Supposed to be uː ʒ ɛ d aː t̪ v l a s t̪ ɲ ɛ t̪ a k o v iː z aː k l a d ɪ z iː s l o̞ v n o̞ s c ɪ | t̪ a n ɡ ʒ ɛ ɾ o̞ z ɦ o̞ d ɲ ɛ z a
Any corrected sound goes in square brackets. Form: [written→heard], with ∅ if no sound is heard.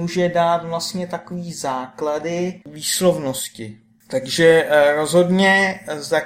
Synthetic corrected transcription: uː ʒ ɛ d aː t̪ v l a s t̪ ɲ ɛ t̪ a k o v iː z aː k l a d ɪ [z→v] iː s l o̞ v n o̞ s c ɪ | t̪ a [n→∅] ɡ ʒ ɛ ɾ o̞ z ɦ o̞ d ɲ ɛ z a